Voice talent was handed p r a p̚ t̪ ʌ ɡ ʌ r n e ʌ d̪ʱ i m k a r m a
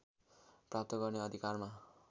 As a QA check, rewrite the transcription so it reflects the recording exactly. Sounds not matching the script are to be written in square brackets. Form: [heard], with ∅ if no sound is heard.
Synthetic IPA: p r a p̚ t̪ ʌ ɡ ʌ r n e ʌ d̪ʱ i [∅] k a r m a